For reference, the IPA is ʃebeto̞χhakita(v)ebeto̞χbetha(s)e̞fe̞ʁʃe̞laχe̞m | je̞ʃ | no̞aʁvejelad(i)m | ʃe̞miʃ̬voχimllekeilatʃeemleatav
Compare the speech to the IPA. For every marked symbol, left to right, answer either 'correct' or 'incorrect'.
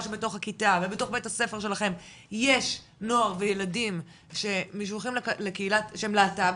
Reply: correct, correct, correct

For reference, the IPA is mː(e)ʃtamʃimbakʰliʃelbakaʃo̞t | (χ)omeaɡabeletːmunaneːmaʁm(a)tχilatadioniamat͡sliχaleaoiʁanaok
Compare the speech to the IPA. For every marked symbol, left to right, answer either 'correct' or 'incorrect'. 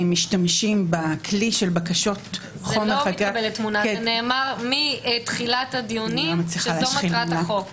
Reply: incorrect, correct, incorrect

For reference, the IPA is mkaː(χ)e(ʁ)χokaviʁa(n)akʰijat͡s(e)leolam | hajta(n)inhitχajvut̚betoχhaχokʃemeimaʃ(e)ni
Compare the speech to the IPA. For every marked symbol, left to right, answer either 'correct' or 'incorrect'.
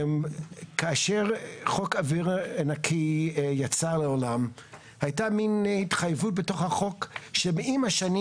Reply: incorrect, correct, correct, incorrect, incorrect, incorrect

